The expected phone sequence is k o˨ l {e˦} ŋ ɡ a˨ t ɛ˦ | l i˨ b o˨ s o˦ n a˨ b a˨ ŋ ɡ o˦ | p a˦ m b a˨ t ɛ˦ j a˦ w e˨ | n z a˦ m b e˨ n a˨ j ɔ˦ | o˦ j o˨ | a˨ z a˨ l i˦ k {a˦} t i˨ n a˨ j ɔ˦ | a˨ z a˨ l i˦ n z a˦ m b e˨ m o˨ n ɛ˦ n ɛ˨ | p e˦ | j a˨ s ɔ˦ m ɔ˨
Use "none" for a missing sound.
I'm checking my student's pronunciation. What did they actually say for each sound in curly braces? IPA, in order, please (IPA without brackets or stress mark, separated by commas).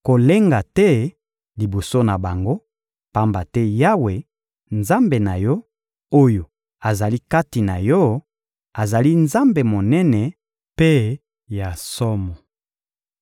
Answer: e˦, a˦